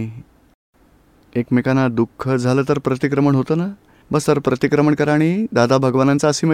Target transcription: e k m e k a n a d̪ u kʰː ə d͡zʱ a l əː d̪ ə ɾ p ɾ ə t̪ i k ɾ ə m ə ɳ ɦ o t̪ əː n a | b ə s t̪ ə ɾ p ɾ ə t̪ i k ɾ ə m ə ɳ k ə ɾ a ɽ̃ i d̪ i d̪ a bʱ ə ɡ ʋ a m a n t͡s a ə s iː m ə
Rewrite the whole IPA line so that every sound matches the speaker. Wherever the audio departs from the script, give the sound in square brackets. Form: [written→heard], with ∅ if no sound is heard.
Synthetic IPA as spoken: e k m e k a n a d̪ u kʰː ə d͡zʱ a l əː [d̪→t̪] ə ɾ p ɾ ə t̪ i k ɾ ə m ə ɳ ɦ o t̪ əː n a | b ə s t̪ ə ɾ p ɾ ə t̪ i k ɾ ə m ə ɳ k ə ɾ a ɽ̃ i d̪ [i→a] d̪ a bʱ ə ɡ ʋ a [m→n] a n t͡s a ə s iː m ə